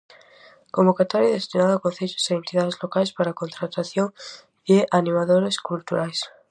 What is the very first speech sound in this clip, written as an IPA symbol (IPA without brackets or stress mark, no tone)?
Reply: k